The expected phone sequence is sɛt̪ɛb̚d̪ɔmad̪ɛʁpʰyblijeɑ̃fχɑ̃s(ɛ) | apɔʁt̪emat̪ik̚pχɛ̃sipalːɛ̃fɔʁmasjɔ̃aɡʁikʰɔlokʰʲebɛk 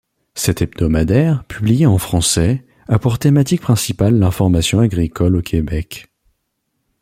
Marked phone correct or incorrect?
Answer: correct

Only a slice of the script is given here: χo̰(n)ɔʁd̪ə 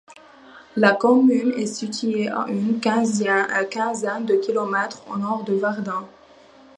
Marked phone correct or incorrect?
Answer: correct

